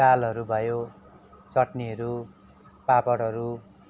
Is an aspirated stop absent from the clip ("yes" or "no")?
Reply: yes